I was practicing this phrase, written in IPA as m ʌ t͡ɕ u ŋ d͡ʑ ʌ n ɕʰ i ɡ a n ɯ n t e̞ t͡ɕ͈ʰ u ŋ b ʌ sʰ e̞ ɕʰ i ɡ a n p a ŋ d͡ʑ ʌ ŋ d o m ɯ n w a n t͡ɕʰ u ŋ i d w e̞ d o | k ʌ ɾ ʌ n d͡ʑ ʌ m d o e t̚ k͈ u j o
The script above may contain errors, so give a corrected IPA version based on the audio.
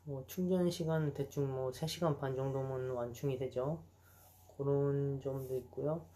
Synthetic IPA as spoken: m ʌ t͡ɕʰ u ŋ d͡ʑ ʌ n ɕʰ i ɡ a n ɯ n t e̞ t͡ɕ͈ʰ u ŋ m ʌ sʰ e̞ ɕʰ i ɡ a n p a n d͡ʑ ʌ ŋ d o m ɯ n w a n t͡ɕʰ u ŋ i d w e̞ d͡ʑ o | k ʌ ɾ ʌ n d͡ʑ ʌ m d o i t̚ k͈ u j o

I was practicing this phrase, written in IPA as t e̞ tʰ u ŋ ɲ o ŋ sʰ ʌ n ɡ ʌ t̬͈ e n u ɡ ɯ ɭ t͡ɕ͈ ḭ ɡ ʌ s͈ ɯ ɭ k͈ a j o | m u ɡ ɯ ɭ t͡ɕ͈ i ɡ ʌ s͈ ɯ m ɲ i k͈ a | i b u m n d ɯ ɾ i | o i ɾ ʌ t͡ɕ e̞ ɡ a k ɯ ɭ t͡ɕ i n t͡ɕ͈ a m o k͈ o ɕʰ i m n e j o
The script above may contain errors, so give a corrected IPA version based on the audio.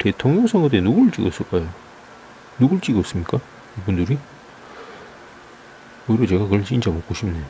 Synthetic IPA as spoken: t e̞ tʰ o ŋ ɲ o ŋ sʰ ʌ ŋ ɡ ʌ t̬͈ e n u ɡ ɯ ɭ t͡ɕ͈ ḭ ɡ ʌ s͈ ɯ ɭ k͈ a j o | n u ɡ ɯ ɭ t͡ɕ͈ i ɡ ʌ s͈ ɯ m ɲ i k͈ a | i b u n d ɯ ɾ i | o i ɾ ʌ t͡ɕ e̞ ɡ a k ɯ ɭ t͡ɕ i n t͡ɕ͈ a m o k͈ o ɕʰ i m n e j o

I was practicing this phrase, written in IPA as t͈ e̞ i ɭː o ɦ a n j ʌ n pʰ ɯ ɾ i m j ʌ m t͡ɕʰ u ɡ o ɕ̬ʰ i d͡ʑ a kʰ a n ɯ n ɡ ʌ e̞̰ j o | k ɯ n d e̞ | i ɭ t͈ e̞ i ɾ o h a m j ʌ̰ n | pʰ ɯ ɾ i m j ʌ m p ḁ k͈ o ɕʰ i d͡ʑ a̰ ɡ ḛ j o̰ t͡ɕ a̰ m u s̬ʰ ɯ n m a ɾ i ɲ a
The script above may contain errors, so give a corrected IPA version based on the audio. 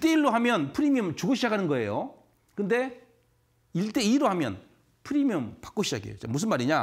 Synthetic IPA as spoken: t͈ e̞ i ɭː o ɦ a m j ʌ n pʰ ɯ ɾ i m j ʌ m t͡ɕ u ɡ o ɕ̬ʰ i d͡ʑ a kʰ a n ɯ n ɡ ʌ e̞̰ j o | k ɯ n d e̞ | i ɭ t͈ e̞ i ɾ o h a m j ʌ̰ n | pʰ ɯ ɾ i m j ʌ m p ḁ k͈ o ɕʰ i d͡ʑ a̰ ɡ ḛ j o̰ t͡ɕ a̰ m u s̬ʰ ɯ n m a ɾ i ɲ a

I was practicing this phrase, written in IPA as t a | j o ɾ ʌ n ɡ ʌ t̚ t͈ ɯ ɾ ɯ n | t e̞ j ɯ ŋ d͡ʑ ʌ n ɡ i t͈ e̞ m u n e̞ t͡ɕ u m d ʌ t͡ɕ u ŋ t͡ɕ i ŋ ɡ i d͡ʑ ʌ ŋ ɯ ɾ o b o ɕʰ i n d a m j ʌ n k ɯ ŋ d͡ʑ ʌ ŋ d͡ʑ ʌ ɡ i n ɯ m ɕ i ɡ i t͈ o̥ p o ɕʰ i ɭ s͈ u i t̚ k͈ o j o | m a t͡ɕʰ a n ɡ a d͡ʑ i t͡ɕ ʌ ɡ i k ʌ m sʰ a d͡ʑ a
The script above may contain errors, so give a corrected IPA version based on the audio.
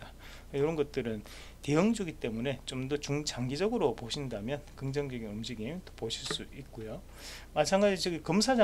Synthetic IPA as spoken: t a | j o ɾ ʌ n ɡ ʌ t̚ t͈ ɯ ɾ ɯ n | t e̞ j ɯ ŋ d͡ʑ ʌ ɡ i t͈ e̞ m u n e̞ t͡ɕ o m d ʌ t͡ɕ u ŋ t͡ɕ a ŋ ɡ i d͡ʑ ʌ ɡ ɯ ɾ o p o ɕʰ i n d a m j ʌ n k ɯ ŋ d͡ʑ ʌ ŋ d͡ʑ ʌ ɡ i n ɯ m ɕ i ɡ i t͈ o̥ p o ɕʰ i ɭ s͈ u i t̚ k͈ o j o | m a t͡ɕʰ a ŋ ɡ a d͡ʑ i t͡ɕ ʌ ɡ i k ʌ m sʰ a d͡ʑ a

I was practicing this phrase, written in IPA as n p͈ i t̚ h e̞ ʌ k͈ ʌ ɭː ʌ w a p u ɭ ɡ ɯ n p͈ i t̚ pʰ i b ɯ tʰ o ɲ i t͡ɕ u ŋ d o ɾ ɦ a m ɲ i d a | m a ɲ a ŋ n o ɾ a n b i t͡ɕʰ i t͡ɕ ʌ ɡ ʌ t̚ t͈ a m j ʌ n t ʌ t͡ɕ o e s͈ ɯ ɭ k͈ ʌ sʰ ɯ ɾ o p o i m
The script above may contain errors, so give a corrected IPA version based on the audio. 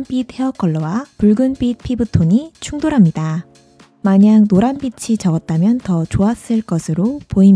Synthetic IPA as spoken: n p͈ i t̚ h e̞ ʌ k͈ ʌ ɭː ʌ w a p u ɭ ɡ ɯ n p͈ i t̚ pʰ i b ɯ tʰ o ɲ i t͡ɕʰ u ŋ d o ɾ ɦ a m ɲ i d a | m a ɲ a ŋ n o ɾ a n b i t͡ɕʰ i t͡ɕ ʌ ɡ ʌ t̚ t͈ a m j ʌ n t ʌ t͡ɕ o a s͈ ɯ ɭ k͈ ʌ sʰ ɯ ɾ o p o i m

